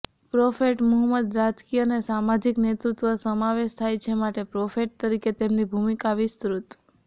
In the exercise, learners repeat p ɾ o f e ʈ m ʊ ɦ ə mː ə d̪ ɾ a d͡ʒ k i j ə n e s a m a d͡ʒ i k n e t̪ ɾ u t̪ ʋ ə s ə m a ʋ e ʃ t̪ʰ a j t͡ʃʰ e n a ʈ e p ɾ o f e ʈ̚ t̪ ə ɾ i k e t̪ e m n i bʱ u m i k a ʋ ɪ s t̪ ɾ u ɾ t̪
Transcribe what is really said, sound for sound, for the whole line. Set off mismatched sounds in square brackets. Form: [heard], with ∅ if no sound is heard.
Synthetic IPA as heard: p ɾ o f e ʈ m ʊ ɦ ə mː ə d̪ ɾ a d͡ʒ k i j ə n e s a m a d͡ʒ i k n e t̪ ɾ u t̪ ʋ ə s ə m a ʋ e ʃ t̪ʰ a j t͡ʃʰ e [m] a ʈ e p ɾ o f e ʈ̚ t̪ ə ɾ i k e t̪ e m n i bʱ u m i k a ʋ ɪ s t̪ ɾ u [∅] t̪